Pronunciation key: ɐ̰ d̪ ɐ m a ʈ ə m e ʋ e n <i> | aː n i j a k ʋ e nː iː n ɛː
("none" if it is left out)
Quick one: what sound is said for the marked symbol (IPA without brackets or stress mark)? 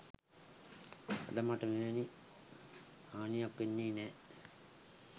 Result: i